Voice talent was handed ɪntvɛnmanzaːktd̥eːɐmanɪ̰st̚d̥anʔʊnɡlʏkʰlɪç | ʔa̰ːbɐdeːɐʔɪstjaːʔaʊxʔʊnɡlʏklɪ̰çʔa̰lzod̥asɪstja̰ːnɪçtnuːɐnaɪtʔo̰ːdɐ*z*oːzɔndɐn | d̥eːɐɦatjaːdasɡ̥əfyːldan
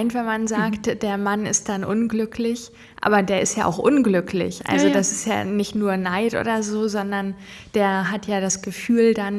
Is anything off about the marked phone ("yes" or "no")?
no